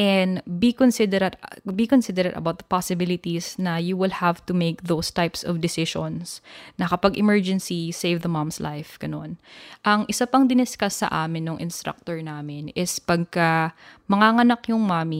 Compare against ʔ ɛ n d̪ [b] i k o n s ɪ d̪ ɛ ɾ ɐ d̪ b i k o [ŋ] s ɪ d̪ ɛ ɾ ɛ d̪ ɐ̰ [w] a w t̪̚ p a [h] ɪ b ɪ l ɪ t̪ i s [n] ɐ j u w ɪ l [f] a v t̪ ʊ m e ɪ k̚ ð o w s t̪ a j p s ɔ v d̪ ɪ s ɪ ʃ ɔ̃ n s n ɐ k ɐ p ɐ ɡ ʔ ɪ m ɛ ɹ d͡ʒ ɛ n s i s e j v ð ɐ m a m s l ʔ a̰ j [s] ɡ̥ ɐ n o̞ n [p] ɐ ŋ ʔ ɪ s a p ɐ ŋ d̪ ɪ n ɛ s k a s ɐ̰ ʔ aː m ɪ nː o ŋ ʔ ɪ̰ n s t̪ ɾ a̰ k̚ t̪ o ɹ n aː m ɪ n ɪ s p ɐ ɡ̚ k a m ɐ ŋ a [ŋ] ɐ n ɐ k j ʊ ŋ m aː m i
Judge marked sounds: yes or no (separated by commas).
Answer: yes, no, no, no, yes, no, no, no, yes